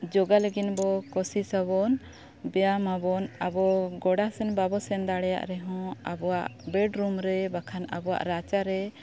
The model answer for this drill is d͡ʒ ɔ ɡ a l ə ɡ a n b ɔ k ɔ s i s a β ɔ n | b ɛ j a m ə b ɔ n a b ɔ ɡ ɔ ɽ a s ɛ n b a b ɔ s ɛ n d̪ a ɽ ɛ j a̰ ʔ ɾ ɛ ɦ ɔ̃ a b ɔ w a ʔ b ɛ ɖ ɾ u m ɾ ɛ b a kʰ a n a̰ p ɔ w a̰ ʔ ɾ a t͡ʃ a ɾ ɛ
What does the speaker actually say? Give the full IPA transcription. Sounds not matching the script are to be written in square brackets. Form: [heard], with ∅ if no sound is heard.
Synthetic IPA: d͡ʒ ɔ ɡ a l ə ɡ [i] n b ɔ k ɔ s i s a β ɔ n | b ɛ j a m [a] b ɔ n a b ɔ ɡ ɔ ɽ a s ɛ n b a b ɔ s ɛ n d̪ a ɽ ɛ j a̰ ʔ ɾ ɛ ɦ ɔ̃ a b ɔ w a ʔ b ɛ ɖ ɾ u m ɾ ɛ b a kʰ a n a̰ [b] ɔ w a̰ ʔ ɾ a t͡ʃ a ɾ ɛ